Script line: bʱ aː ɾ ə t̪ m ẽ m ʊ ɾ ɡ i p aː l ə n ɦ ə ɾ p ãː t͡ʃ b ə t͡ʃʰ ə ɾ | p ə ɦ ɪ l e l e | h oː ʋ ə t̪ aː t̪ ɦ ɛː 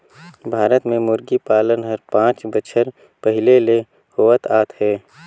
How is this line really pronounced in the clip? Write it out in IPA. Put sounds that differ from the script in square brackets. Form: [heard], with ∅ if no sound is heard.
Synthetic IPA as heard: bʱ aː ɾ ə t̪ m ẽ m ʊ ɾ ɡ i p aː l ə n ɦ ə ɾ p ãː t͡ʃ b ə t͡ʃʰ ə ɾ | p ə ɦ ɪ l e l e | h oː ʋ ə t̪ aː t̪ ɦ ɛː